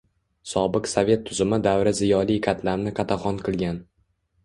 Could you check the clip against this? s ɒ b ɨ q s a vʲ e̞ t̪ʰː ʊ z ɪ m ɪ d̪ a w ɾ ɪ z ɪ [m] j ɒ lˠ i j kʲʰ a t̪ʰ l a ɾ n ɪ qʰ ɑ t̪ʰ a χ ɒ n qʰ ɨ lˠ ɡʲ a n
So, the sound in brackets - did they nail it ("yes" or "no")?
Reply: no